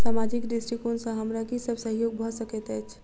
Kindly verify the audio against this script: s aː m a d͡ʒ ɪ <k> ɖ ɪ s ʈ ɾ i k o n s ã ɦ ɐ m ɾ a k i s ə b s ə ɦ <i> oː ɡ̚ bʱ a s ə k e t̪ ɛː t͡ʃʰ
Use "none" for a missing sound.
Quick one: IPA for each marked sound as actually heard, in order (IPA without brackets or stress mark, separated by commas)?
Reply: k, j